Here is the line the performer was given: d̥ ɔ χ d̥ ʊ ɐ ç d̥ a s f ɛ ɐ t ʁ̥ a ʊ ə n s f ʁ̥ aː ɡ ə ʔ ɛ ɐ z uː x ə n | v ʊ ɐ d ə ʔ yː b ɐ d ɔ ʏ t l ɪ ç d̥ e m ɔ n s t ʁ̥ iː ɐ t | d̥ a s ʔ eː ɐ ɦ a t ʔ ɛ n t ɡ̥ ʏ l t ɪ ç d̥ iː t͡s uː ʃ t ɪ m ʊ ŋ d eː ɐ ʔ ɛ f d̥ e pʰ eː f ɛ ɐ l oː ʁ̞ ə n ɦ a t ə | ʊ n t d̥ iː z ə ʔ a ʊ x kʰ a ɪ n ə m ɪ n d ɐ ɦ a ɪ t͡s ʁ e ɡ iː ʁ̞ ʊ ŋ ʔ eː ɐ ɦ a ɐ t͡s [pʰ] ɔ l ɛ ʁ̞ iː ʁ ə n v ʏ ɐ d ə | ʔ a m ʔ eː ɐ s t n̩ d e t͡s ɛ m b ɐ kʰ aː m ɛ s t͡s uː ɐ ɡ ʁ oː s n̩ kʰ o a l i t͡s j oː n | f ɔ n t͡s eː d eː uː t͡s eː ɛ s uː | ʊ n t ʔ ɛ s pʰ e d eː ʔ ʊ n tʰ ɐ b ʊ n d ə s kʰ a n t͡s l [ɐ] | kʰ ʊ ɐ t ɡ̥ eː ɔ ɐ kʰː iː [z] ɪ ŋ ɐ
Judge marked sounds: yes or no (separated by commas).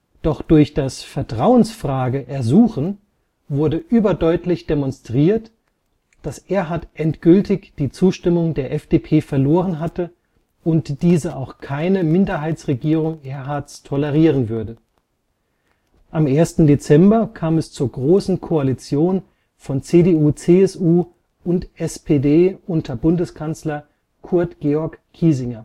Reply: no, yes, yes